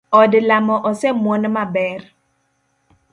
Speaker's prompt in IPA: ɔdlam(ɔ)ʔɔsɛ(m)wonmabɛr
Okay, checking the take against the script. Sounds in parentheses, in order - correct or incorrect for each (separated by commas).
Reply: correct, correct